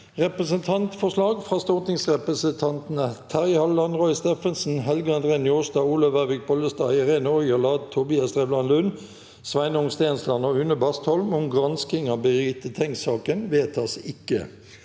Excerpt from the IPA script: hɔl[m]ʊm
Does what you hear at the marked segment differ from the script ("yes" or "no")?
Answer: no